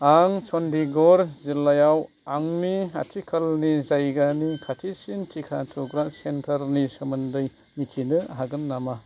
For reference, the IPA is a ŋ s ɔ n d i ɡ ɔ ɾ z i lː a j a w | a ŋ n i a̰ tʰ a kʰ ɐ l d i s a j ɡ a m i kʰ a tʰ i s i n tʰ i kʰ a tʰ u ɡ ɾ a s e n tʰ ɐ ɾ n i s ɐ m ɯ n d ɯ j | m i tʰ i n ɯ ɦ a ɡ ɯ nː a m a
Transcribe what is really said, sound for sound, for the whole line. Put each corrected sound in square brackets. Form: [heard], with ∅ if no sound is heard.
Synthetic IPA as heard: a ŋ s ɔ n d i ɡ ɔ ɾ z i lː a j a w | a ŋ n i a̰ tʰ [i] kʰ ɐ l [n] i [z] a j ɡ a [n] i kʰ a tʰ i s i n tʰ i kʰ a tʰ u ɡ ɾ a s e n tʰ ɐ ɾ n i s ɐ m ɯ n d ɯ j | m i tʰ i n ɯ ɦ a ɡ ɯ nː a m a

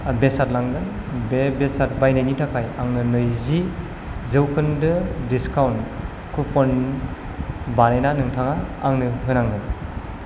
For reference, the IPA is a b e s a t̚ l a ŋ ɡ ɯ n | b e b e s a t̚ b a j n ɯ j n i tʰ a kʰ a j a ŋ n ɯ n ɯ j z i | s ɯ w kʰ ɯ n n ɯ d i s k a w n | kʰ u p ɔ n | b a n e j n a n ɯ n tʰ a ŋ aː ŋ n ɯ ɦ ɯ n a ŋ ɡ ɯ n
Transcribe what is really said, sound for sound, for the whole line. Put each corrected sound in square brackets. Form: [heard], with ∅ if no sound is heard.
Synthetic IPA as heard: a b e s a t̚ l a ŋ ɡ ɯ n | b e b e s a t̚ b a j n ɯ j n i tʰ a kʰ a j a ŋ n ɯ n ɯ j z i | [z] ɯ w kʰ ɯ n [d] ɯ d i s k a w n | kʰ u p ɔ n | b a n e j n a n ɯ [ŋ] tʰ a ŋ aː ŋ n ɯ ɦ ɯ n a ŋ ɡ ɯ n

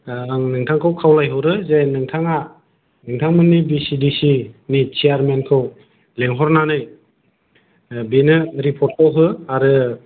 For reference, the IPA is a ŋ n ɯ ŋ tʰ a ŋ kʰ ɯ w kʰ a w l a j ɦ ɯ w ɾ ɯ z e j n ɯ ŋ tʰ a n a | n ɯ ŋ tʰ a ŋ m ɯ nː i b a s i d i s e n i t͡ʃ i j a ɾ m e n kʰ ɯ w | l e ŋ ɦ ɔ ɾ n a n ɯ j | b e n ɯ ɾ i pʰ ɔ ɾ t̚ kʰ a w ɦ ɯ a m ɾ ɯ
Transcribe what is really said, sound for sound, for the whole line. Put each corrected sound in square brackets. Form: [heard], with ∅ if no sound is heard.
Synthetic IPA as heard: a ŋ n ɯ ŋ tʰ a ŋ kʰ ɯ w kʰ a w l a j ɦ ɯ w ɾ ɯ z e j n ɯ ŋ tʰ a [ŋ] a | n ɯ ŋ tʰ a ŋ m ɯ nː i b [i] s i d i s [i] n i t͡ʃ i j a ɾ m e n kʰ ɯ w | l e ŋ ɦ ɔ ɾ n a n ɯ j | b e n ɯ ɾ i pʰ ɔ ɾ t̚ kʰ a w ɦ ɯ a [∅] ɾ ɯ

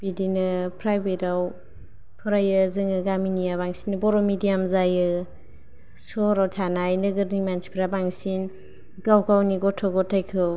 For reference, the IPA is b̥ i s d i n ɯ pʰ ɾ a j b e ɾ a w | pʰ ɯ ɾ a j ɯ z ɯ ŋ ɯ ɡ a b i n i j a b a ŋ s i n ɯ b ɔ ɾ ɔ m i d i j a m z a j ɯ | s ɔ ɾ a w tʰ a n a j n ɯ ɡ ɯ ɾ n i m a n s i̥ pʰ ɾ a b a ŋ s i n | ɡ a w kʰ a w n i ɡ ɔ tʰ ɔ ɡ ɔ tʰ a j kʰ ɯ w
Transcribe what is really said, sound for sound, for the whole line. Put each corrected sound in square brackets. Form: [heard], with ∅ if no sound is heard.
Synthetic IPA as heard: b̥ i [∅] d i n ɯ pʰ ɾ a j b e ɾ a w | pʰ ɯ ɾ a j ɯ z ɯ ŋ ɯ ɡ a [m] i n i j a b a ŋ s i n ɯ b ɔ ɾ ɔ m i d i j a m z a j ɯ | s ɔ ɾ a w tʰ a n a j n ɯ ɡ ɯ ɾ n i m a n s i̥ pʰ ɾ a b a ŋ s i n | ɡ a w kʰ a w n i ɡ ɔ tʰ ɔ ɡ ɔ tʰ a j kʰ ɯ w

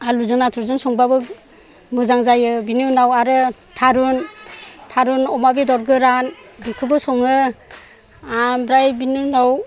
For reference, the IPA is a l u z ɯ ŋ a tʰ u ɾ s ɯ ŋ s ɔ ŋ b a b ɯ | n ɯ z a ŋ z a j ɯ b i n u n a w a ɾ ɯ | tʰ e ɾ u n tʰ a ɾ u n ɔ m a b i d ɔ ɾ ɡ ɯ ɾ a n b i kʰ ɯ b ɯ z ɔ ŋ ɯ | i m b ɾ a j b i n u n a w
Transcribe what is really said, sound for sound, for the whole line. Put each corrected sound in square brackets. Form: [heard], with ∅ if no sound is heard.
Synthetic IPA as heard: a l u z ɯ [n] a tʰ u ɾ [z] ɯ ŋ s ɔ ŋ b a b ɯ | [m] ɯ z a ŋ z a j ɯ b i n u n a w a ɾ ɯ | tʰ [a] ɾ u n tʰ a ɾ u n ɔ m a b i d ɔ ɾ ɡ ɯ ɾ a n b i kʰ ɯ b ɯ [s] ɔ ŋ ɯ | [a] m b ɾ a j b i n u n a w

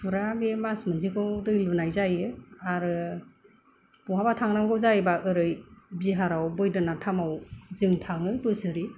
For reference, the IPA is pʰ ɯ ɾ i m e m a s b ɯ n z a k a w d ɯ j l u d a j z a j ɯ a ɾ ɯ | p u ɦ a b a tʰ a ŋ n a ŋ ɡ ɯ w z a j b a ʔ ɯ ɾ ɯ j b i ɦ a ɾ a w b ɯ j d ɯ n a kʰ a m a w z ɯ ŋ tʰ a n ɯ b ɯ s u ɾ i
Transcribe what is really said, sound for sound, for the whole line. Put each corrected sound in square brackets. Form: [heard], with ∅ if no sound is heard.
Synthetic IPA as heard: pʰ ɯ ɾ [a] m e m a s [m] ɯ n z [i] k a w d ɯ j l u [n] a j z a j ɯ a ɾ ɯ | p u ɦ a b a tʰ a ŋ n a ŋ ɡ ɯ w z a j b a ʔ ɯ ɾ ɯ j b i ɦ a ɾ a w b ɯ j d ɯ n a [tʰ] a m a w z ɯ ŋ tʰ a [ŋ] ɯ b ɯ s [ɯ] ɾ i

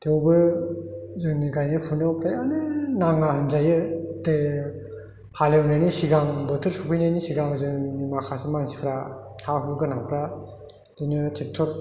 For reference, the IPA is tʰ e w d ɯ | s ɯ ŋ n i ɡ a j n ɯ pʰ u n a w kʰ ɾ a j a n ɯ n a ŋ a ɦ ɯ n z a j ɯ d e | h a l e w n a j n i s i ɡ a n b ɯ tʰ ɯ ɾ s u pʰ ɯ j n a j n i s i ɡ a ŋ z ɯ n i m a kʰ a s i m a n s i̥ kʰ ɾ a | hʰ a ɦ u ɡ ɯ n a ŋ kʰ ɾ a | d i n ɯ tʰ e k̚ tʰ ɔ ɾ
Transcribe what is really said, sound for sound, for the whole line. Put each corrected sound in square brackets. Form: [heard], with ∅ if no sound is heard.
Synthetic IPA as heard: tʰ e w [b] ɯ | [z] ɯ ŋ n i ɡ a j n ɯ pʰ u n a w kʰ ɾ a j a n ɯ n a ŋ a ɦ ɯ n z a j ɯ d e | h a l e w n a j n i s i ɡ a [ŋ] b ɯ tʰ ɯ ɾ s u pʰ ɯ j n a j n i s i ɡ a ŋ z ɯ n i m a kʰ a s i m a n s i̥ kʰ ɾ a | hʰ a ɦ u ɡ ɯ n a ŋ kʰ ɾ a | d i n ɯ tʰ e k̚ tʰ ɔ ɾ

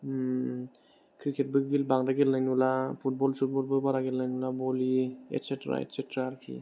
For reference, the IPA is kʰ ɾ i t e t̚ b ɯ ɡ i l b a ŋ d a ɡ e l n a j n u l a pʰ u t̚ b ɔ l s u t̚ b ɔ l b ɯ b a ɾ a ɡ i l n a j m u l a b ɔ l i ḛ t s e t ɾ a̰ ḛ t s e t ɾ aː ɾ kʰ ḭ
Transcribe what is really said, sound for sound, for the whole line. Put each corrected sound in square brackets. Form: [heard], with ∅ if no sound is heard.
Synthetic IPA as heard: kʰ ɾ i [k] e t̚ b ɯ ɡ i l b a ŋ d a ɡ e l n a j n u l a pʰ u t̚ b ɔ l s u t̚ b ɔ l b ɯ b a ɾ a ɡ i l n a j [n] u l a b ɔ l i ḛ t s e t ɾ a̰ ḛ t s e t ɾ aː ɾ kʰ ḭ

